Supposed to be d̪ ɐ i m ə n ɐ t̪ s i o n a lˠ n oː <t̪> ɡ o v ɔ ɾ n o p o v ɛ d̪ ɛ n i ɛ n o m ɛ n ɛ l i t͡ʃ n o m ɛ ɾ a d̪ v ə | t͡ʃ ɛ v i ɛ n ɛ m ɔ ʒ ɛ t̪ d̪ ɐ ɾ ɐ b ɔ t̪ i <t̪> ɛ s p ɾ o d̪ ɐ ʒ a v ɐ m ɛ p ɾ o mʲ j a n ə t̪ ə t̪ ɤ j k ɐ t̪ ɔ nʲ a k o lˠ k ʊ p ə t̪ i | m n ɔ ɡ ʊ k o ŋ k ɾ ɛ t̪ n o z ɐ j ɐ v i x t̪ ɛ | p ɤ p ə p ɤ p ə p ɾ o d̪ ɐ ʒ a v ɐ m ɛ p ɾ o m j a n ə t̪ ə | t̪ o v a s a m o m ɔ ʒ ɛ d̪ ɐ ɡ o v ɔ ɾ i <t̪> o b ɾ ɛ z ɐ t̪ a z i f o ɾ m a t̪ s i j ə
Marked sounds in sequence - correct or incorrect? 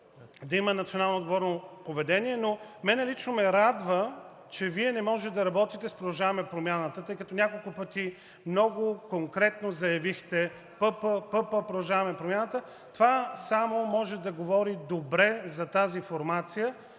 incorrect, correct, incorrect

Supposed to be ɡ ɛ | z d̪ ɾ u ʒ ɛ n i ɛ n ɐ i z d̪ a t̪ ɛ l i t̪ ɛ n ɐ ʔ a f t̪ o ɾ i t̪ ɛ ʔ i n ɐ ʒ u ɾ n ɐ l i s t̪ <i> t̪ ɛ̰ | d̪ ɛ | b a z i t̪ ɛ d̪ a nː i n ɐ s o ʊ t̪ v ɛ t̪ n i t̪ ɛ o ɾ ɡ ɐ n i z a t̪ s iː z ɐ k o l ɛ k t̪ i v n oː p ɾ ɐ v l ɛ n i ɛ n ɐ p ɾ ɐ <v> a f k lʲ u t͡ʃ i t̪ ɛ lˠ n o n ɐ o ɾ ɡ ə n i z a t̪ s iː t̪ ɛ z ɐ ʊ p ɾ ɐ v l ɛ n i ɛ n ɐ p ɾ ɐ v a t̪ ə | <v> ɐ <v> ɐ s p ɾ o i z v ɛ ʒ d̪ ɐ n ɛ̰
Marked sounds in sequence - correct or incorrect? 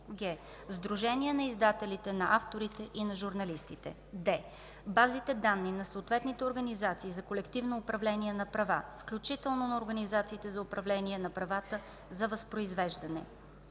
correct, correct, incorrect, correct

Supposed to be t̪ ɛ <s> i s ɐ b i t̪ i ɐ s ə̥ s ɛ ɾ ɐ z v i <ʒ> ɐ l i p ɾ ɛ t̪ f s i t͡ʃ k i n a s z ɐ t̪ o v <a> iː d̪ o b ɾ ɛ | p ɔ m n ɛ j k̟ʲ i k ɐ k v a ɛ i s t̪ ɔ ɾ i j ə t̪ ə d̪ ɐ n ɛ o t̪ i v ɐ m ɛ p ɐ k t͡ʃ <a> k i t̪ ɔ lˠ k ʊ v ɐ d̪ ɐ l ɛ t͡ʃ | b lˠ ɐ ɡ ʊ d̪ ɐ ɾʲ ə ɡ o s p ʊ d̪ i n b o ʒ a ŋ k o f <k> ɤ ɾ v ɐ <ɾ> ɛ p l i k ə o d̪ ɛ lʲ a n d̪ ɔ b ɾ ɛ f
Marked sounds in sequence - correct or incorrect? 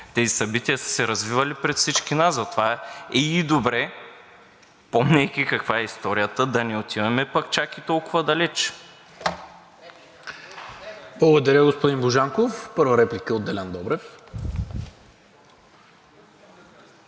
incorrect, incorrect, correct, correct, incorrect, correct

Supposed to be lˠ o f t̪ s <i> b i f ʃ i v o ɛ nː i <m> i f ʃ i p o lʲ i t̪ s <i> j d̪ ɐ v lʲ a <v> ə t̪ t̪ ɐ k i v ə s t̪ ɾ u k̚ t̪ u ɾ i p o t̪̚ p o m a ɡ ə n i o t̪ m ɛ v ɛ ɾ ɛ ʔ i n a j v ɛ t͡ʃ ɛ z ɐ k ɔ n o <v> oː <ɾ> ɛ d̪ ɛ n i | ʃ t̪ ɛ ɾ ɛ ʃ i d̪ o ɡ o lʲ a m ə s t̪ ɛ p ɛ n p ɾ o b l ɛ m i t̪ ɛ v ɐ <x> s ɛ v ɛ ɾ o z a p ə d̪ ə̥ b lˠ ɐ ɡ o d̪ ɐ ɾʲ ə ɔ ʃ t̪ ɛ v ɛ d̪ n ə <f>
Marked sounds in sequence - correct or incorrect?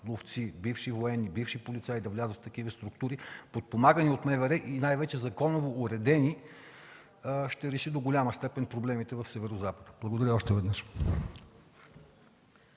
correct, incorrect, incorrect, incorrect, correct, correct, incorrect, incorrect

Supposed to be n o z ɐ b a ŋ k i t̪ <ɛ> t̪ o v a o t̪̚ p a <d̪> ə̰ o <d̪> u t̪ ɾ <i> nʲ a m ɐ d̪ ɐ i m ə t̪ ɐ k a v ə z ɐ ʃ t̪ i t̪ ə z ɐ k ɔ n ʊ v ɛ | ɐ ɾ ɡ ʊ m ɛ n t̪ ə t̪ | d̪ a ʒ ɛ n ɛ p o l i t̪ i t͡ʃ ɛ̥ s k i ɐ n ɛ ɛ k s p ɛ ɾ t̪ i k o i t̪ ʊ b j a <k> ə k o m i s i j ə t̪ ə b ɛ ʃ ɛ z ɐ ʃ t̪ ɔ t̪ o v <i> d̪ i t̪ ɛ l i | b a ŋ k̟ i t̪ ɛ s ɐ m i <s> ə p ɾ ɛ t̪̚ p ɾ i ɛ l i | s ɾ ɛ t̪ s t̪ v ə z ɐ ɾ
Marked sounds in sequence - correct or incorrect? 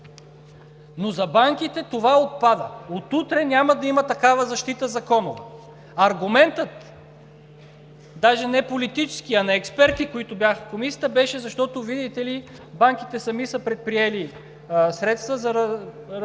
correct, correct, incorrect, incorrect, incorrect, correct, correct

